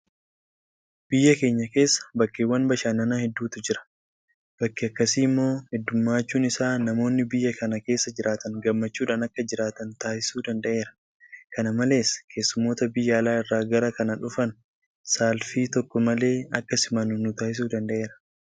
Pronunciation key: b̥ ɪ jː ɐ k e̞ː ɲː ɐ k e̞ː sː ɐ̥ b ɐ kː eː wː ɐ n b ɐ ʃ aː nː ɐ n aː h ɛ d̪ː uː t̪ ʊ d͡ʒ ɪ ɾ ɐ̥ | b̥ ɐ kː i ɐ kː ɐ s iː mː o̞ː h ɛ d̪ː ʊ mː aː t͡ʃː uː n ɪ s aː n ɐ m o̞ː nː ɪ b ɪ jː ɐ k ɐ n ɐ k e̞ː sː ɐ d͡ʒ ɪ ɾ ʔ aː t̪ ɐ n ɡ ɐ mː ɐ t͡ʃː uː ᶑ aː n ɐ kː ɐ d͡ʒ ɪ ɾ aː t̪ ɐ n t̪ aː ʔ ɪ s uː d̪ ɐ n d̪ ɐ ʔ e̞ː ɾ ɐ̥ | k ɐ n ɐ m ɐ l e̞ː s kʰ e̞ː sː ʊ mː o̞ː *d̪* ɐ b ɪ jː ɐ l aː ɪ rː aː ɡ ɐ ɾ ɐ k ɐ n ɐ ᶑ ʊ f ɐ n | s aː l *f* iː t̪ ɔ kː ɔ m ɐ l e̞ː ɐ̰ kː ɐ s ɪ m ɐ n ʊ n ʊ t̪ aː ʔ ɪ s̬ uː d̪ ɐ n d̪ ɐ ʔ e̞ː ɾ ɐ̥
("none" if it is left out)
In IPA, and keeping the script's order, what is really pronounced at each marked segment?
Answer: t̪, f

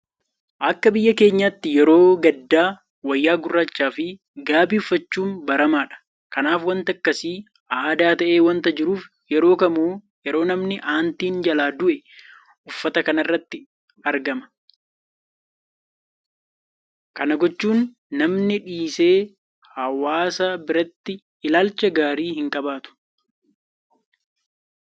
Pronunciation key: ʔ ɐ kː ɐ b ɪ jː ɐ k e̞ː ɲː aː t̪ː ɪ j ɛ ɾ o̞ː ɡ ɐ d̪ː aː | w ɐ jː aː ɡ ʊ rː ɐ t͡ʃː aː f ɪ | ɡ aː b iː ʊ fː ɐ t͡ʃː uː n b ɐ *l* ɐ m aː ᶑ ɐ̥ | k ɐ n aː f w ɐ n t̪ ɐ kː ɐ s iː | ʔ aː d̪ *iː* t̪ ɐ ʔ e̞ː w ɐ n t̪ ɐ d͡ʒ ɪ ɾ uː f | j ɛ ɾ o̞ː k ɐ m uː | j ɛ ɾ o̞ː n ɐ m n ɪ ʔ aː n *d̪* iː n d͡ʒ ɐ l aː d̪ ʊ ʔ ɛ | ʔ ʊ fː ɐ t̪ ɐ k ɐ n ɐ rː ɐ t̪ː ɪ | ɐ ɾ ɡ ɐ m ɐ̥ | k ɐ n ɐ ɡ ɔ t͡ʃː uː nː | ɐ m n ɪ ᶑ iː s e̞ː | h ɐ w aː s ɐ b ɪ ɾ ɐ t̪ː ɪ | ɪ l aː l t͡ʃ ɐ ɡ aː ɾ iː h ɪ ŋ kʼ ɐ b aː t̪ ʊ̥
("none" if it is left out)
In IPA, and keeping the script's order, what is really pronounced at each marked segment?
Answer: ɾ, aː, t̪

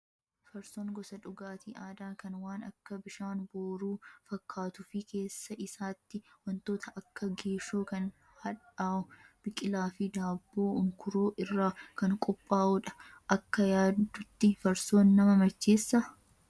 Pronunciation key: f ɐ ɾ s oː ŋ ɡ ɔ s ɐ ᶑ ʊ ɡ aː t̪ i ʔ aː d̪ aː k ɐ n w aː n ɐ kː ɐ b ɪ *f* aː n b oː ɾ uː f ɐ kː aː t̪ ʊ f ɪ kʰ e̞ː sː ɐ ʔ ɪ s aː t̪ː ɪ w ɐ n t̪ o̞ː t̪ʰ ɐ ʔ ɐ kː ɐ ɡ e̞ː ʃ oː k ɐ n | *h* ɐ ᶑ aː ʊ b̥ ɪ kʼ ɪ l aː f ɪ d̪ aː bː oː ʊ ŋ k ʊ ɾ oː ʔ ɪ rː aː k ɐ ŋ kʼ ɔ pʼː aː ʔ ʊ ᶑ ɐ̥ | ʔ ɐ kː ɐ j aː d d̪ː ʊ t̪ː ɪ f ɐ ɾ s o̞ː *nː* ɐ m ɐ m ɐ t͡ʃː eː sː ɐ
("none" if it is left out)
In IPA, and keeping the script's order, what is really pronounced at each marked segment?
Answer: ʃ, h, nː

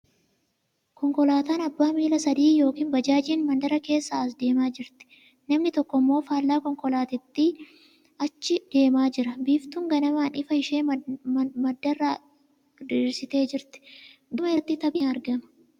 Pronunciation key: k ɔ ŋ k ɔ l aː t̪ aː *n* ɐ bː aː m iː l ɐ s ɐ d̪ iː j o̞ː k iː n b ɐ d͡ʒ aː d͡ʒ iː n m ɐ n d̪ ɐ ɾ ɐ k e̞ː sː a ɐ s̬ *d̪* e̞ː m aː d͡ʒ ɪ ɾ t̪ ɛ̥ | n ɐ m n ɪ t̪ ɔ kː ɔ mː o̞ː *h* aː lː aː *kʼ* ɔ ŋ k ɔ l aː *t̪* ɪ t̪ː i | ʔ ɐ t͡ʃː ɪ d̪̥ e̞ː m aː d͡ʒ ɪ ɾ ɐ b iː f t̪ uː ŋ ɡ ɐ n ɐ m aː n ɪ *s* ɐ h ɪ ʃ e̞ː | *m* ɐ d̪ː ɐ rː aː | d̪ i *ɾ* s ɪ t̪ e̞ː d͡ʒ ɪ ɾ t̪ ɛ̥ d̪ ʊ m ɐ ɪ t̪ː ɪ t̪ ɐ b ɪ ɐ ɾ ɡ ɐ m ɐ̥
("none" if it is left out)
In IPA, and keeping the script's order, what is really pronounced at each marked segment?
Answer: n, d̪, f, k, t̪, f, m, ɾ

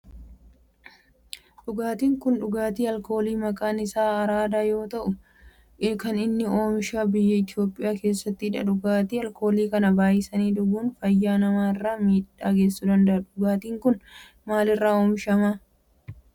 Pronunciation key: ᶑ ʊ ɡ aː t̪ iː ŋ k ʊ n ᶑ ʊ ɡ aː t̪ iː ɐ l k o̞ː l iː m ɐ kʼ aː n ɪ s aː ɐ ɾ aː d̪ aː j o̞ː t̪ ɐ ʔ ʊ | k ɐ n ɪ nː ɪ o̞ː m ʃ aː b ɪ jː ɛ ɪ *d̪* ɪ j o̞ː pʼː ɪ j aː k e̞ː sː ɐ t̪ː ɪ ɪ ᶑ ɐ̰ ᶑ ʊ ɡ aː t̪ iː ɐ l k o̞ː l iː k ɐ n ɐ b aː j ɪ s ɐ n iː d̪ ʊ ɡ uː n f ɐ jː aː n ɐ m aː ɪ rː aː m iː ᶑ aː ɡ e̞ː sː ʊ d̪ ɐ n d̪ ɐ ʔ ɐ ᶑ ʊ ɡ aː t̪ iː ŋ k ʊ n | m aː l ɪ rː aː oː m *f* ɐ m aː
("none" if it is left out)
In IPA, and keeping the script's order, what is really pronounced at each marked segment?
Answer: t̪, ʃ

